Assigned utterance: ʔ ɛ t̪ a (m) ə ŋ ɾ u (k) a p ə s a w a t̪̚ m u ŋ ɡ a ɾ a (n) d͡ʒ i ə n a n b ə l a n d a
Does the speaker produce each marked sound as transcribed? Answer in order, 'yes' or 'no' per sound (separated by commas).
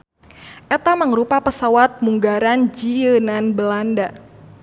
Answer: yes, no, yes